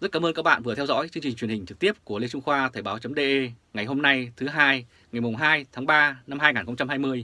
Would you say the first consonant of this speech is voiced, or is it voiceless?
voiced